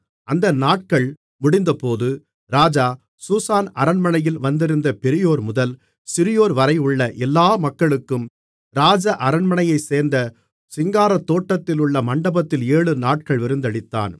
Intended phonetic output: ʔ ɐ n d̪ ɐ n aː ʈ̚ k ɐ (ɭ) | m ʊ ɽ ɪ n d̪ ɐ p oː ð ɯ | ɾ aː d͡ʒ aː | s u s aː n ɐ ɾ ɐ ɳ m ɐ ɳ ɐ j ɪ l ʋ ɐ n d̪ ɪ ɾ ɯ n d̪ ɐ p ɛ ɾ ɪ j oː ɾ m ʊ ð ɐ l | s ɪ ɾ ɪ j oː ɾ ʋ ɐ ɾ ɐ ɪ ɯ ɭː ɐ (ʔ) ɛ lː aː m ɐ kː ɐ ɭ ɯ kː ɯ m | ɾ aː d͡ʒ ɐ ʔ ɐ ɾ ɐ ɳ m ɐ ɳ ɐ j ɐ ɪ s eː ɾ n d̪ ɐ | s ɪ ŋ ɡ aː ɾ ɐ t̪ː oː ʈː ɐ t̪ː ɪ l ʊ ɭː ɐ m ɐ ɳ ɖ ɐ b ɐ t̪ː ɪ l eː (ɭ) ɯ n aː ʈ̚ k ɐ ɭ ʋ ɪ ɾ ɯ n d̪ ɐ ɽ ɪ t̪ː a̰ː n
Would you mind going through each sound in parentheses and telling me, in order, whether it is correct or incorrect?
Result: correct, correct, correct

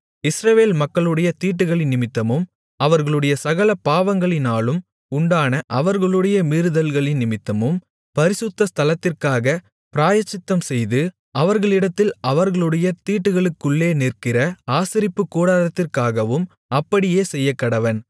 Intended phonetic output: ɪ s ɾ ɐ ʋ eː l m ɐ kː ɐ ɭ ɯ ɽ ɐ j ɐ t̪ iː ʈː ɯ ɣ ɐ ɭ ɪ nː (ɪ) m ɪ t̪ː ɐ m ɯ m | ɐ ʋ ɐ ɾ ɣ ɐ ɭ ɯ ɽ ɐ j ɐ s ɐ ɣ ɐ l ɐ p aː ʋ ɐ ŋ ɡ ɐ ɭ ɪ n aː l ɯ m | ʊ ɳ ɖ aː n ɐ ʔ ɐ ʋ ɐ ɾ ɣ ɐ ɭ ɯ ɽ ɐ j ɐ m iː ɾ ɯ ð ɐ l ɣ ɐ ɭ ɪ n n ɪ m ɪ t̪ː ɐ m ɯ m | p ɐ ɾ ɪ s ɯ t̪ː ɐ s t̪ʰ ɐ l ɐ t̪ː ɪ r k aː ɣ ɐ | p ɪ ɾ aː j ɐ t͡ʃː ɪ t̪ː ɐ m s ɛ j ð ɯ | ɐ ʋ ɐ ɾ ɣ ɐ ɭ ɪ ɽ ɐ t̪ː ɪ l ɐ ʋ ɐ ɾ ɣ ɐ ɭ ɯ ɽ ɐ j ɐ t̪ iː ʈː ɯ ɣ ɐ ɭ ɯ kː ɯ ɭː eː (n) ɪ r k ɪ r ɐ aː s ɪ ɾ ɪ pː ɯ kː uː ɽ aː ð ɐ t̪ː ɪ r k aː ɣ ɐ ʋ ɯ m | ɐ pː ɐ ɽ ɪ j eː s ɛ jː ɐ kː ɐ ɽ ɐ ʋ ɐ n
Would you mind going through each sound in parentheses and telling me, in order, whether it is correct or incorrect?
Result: correct, correct

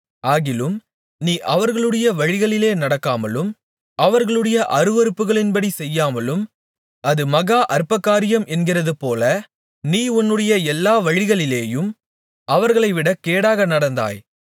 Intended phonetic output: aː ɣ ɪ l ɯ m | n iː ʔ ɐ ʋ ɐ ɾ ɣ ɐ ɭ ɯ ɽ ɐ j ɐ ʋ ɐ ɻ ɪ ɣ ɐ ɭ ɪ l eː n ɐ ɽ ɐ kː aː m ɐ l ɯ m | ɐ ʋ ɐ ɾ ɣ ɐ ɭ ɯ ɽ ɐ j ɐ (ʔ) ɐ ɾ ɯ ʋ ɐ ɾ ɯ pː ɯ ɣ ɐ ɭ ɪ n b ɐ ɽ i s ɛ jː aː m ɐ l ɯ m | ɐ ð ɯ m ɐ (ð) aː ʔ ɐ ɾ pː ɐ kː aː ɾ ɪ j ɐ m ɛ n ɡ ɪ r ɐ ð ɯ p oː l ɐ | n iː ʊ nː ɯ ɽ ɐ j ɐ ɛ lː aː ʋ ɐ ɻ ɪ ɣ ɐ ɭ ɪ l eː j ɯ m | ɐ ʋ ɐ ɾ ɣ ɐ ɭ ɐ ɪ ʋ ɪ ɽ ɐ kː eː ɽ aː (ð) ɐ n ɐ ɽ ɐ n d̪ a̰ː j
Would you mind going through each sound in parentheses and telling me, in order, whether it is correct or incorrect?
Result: correct, incorrect: ɣ, incorrect: ɣ

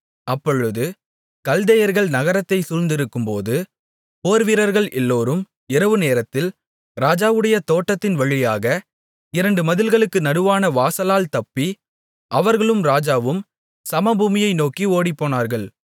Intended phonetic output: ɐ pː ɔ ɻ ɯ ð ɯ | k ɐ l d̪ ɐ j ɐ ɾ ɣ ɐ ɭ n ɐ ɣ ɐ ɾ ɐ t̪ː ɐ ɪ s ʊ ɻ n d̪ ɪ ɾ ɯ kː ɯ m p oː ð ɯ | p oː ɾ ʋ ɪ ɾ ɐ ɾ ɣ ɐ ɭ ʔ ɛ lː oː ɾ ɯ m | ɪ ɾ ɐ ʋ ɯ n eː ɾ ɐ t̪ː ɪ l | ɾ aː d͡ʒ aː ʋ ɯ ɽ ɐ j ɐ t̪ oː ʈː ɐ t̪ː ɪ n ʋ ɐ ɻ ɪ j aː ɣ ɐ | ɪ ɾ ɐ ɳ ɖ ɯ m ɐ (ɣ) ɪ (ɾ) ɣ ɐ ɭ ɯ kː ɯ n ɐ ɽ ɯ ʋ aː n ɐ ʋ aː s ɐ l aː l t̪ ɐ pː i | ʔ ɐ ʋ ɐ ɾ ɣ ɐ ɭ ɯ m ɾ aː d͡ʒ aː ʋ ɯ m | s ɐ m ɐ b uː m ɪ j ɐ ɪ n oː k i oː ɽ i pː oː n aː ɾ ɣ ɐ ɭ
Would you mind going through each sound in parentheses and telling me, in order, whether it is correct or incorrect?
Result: incorrect: ð, incorrect: l

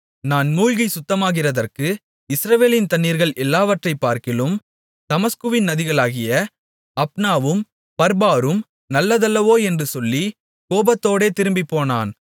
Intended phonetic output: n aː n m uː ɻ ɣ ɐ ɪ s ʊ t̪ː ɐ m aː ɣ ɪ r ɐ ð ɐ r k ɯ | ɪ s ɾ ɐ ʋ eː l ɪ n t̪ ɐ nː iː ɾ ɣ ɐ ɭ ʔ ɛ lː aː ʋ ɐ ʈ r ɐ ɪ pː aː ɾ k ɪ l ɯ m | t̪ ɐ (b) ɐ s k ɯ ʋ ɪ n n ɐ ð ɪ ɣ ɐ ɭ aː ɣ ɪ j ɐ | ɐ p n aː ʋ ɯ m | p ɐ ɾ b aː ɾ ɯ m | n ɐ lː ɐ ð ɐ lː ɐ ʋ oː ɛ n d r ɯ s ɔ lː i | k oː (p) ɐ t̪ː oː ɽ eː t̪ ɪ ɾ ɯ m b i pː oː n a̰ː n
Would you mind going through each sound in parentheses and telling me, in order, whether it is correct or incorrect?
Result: incorrect: m, incorrect: b

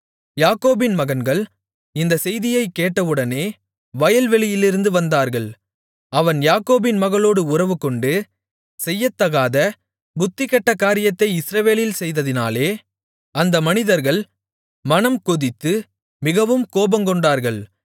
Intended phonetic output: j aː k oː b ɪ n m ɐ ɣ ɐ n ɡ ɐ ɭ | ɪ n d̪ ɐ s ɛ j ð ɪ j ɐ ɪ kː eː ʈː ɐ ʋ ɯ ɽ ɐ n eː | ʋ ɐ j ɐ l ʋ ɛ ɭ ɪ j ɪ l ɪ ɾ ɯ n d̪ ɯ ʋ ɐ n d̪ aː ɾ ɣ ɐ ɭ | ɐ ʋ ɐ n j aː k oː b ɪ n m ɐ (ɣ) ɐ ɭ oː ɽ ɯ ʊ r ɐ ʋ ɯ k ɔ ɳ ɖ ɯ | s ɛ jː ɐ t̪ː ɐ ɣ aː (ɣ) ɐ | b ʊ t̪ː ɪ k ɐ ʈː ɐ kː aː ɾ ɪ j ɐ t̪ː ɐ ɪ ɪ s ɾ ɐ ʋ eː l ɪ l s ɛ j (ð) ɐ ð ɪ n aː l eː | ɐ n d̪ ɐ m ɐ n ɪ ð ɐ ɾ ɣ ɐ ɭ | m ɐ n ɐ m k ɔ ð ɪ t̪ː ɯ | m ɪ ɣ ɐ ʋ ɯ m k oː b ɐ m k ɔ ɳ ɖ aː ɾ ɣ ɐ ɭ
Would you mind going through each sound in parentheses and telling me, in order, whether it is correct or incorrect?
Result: correct, incorrect: ð, correct

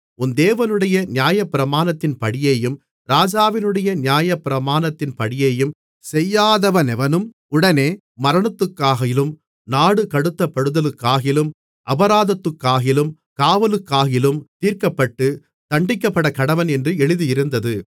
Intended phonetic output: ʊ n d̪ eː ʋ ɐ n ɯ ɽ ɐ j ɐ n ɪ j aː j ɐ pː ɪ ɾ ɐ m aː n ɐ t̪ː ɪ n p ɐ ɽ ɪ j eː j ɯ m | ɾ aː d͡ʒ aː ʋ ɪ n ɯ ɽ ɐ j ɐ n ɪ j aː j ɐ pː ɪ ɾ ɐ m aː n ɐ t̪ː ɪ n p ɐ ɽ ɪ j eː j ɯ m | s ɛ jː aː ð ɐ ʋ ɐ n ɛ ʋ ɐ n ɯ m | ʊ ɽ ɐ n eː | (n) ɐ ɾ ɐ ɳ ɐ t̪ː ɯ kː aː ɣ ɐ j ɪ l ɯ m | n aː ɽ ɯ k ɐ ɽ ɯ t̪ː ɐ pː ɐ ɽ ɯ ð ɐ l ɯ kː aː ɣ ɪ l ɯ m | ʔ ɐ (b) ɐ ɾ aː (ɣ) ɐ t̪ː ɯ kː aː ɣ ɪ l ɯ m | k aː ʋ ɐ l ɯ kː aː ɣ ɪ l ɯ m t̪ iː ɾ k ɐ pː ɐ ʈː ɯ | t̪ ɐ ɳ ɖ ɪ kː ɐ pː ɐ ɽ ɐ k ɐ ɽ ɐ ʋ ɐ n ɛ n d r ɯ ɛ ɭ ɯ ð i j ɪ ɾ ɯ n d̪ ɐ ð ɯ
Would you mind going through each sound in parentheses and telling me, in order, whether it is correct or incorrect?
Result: incorrect: m, correct, incorrect: ð

